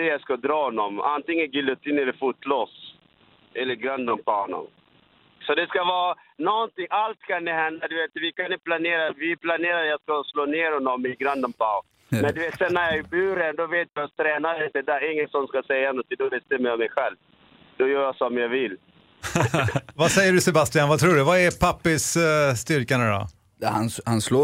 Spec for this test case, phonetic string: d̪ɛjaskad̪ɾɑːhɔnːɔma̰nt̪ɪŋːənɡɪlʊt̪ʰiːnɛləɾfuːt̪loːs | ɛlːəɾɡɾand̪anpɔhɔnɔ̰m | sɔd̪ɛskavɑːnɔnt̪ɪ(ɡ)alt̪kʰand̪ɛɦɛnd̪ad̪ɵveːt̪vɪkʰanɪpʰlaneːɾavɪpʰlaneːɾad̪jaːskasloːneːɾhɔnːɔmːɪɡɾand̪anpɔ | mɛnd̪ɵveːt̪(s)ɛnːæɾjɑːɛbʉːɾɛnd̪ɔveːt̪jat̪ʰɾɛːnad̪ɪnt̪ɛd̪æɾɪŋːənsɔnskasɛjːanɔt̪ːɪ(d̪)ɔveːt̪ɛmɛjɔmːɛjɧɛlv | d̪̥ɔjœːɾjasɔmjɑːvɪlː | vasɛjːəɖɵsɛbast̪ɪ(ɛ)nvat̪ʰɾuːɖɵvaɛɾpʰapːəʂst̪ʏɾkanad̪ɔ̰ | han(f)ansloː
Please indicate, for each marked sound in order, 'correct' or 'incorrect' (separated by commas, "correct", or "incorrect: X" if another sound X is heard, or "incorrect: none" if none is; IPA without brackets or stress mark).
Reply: incorrect: ŋ, correct, correct, incorrect: a, incorrect: h